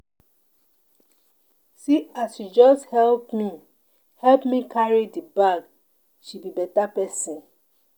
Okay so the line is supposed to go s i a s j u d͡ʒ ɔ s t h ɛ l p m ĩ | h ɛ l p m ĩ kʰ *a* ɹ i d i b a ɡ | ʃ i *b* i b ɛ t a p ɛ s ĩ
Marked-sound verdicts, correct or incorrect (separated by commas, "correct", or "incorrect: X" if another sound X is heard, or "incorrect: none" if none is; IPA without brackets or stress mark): correct, correct